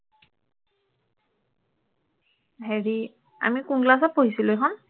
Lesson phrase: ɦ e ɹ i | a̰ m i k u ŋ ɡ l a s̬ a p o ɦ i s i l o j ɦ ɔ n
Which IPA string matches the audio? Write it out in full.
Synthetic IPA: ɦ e ɹ i | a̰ m i k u ŋ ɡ l a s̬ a p o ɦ i s i l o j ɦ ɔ n